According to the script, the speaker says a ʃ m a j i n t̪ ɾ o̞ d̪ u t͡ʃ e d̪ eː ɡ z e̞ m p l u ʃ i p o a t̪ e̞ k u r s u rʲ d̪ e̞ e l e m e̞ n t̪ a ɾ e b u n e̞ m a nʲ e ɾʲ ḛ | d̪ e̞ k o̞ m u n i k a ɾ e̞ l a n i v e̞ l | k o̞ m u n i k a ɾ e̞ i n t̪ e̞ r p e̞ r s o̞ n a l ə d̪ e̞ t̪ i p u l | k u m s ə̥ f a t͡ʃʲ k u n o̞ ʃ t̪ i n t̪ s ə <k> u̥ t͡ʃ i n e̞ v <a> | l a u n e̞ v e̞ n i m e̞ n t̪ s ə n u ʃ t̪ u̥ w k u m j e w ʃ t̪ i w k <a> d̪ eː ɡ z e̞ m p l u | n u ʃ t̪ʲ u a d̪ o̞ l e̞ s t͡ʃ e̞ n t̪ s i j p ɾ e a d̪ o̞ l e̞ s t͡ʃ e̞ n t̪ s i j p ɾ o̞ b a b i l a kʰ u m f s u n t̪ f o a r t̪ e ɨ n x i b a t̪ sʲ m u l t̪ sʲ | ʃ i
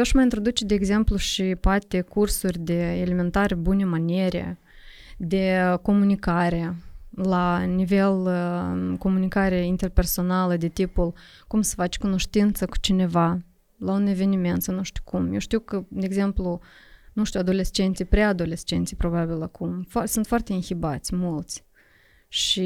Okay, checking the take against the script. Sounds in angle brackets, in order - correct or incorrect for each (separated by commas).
correct, correct, incorrect